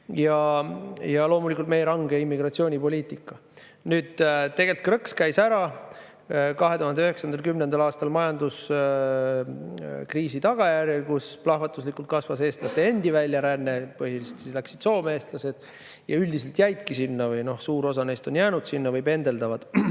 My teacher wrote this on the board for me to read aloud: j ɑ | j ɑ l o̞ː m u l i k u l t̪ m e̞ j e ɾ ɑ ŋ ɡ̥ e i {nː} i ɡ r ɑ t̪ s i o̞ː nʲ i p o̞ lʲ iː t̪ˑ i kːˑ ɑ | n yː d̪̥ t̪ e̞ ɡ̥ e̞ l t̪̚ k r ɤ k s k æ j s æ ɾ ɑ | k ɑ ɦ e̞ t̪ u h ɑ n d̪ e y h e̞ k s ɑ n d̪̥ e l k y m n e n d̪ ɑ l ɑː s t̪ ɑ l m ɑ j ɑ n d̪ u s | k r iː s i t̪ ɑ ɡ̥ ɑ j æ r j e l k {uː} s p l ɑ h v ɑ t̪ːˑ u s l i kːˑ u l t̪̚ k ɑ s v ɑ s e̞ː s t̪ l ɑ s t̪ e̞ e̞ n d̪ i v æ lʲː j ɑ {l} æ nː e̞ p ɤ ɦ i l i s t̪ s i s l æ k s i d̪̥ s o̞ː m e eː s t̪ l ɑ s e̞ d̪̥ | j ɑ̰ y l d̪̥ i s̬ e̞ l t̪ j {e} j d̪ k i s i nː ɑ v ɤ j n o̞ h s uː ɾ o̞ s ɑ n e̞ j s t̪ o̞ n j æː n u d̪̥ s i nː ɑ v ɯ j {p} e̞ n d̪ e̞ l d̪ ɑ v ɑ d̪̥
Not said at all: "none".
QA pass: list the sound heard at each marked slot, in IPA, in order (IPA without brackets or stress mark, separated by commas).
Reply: mː, u, ɾ, æ, p